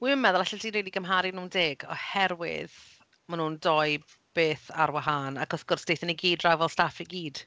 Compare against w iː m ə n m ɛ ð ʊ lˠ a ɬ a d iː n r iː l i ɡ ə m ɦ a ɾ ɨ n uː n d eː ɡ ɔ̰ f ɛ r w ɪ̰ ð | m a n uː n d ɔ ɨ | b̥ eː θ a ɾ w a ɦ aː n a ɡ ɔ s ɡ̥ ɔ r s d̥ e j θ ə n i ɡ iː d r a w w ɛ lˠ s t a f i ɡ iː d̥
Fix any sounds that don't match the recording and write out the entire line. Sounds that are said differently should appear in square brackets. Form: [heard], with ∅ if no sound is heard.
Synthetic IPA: w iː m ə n m ɛ ð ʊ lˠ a ɬ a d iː n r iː l i ɡ ə m ɦ a ɾ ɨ n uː n d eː ɡ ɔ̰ [h] ɛ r w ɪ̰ ð | m a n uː n d ɔ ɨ | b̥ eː θ a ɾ w a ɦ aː n a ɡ ɔ s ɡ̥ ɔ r s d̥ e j θ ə n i ɡ iː d r a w [v] ɛ lˠ s t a f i ɡ iː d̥